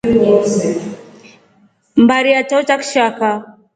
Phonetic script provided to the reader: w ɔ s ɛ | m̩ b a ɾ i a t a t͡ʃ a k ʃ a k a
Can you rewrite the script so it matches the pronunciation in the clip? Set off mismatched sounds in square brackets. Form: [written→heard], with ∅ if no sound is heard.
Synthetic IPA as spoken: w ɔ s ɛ | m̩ b a ɾ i a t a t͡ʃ a k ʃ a k a